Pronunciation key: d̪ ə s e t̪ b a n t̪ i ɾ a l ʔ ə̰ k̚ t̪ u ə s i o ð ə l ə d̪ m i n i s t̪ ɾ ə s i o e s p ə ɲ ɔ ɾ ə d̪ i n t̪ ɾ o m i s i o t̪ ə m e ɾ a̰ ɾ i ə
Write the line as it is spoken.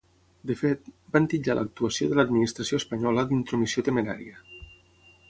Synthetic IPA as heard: d̪ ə f e t̪ b a n t̪ i ʎ a l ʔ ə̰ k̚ t̪ u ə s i o ð ə l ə d̪ m i n i s t̪ ɾ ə s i o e s p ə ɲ ɔ l ə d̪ i n t̪ ɾ o m i s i o t̪ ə m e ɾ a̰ ɾ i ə